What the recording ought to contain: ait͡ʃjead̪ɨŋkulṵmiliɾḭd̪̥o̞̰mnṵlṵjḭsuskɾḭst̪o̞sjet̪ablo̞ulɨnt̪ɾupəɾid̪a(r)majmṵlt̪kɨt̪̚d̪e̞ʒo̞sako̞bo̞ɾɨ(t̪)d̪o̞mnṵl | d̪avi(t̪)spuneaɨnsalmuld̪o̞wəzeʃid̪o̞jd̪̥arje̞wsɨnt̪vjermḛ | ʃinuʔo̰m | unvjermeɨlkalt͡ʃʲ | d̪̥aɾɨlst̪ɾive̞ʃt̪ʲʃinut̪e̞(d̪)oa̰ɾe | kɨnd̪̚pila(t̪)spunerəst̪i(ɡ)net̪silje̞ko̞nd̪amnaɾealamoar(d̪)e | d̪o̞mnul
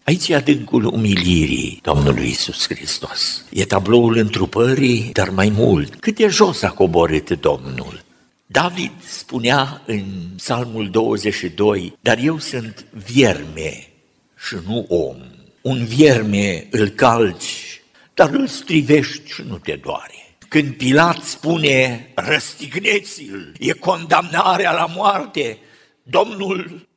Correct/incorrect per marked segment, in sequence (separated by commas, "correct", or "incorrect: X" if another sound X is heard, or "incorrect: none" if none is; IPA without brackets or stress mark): correct, correct, incorrect: d̪, correct, correct, correct, incorrect: t̪